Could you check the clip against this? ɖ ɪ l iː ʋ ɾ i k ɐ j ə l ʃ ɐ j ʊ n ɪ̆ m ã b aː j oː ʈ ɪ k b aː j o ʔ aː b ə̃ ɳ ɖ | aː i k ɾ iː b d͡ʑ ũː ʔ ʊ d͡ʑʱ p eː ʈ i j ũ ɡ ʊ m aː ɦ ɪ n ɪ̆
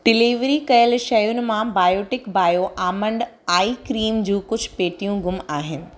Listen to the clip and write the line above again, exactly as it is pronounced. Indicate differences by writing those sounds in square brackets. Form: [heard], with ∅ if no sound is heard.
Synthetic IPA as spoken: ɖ ɪ l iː ʋ ɾ i k ɐ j ə l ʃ ɐ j ʊ n ɪ̆ m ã b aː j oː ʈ ɪ k b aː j o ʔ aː [m] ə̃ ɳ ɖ | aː i k ɾ iː [m] d͡ʑ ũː [k] ʊ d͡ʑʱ p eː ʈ i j ũ ɡ ʊ m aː ɦ ɪ n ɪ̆